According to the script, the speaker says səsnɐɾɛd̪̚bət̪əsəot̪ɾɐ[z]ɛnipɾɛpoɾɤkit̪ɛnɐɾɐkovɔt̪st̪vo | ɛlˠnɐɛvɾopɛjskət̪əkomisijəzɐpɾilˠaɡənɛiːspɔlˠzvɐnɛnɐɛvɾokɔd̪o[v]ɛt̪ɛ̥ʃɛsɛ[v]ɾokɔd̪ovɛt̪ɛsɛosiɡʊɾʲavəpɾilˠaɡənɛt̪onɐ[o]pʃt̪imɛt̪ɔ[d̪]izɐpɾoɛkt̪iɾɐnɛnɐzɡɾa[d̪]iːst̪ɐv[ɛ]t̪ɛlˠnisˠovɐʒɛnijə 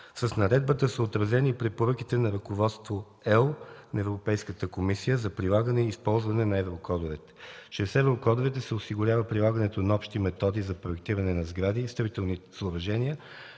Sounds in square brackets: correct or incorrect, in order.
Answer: correct, correct, correct, incorrect, correct, correct, incorrect

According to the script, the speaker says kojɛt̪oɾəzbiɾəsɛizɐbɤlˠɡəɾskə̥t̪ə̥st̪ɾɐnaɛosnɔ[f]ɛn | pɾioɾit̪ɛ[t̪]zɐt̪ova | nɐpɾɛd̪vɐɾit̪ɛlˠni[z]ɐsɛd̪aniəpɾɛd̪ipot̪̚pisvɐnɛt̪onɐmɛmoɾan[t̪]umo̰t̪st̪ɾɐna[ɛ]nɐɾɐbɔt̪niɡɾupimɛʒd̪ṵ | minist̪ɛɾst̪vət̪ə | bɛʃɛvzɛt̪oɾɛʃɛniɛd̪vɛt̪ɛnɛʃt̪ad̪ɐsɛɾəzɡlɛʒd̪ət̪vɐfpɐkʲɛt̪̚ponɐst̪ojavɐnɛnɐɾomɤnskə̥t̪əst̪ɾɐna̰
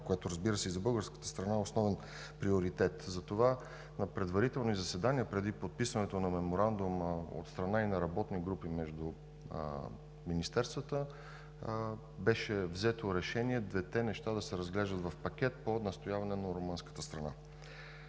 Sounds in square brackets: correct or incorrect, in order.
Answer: incorrect, correct, correct, incorrect, incorrect

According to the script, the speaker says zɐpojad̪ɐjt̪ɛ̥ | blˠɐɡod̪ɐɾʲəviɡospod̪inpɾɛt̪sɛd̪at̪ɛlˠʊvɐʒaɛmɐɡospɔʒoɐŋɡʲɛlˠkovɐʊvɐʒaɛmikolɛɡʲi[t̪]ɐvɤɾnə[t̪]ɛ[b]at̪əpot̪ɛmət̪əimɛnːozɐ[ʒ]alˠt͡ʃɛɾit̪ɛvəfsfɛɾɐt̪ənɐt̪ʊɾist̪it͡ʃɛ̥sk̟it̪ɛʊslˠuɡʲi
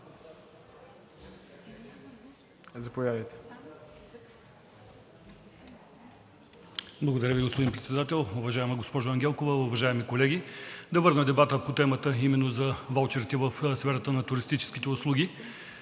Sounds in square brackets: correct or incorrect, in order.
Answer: incorrect, incorrect, correct, incorrect

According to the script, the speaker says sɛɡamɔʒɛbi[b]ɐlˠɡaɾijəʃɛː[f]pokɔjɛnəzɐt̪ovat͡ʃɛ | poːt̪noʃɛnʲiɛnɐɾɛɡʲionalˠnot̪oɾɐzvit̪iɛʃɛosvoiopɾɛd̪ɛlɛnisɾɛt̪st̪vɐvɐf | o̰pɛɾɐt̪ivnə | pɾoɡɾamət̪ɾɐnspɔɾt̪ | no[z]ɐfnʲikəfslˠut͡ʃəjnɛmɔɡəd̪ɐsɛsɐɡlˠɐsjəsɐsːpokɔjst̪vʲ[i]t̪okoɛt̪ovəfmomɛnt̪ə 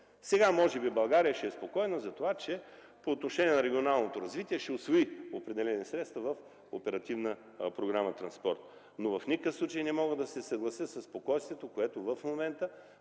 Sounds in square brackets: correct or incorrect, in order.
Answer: correct, incorrect, incorrect, incorrect

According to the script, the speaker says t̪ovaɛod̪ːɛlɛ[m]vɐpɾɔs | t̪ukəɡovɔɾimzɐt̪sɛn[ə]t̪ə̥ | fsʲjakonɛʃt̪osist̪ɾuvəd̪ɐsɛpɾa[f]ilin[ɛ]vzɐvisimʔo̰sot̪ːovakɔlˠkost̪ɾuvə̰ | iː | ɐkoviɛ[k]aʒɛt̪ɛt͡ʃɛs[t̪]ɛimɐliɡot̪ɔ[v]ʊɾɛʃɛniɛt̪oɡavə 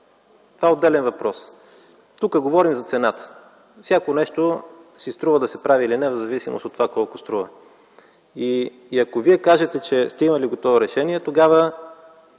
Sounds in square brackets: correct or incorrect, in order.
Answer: incorrect, incorrect, incorrect, correct, correct, correct, correct

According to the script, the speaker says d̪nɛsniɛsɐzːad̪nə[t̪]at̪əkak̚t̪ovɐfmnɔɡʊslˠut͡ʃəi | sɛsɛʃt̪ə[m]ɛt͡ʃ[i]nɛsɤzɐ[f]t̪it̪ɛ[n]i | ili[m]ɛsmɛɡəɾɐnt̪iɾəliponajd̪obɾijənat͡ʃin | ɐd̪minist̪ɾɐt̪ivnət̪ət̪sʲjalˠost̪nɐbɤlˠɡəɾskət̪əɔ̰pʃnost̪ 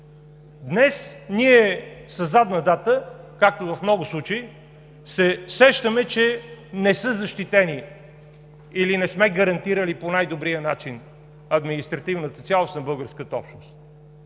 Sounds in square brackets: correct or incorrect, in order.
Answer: incorrect, correct, incorrect, incorrect, correct, incorrect

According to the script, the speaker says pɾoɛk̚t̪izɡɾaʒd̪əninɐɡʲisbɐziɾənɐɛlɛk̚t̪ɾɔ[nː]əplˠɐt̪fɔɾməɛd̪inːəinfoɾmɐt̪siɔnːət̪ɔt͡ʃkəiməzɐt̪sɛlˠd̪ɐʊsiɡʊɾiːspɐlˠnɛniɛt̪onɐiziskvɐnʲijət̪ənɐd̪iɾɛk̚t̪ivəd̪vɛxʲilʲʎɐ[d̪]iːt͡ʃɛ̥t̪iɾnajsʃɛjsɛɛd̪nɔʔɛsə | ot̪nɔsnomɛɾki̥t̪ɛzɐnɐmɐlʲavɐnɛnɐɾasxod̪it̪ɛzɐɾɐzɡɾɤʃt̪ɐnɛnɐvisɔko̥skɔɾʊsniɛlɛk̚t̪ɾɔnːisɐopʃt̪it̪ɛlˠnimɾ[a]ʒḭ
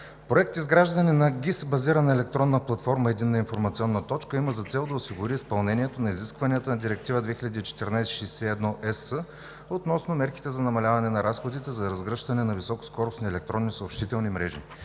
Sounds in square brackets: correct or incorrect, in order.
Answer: correct, correct, incorrect

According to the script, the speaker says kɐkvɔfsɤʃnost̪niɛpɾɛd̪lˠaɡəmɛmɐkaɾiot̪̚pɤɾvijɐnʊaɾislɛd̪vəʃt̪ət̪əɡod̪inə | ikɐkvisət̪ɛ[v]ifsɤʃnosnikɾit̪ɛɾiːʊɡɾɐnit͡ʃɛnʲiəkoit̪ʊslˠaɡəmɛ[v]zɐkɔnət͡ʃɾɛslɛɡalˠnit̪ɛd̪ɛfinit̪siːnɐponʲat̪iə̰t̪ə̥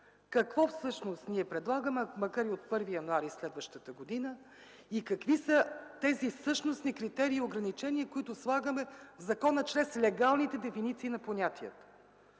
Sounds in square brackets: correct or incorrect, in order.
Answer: incorrect, correct

